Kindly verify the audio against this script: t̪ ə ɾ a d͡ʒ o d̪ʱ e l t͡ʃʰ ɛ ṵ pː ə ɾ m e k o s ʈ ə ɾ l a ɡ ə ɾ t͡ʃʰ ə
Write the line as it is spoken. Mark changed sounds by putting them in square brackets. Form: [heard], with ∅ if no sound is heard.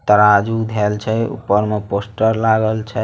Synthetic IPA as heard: t̪ ə ɾ a d͡ʒ [u] d̪ʱ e l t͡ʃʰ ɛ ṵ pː ə ɾ m e [p] o s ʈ ə ɾ l a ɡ ə [l] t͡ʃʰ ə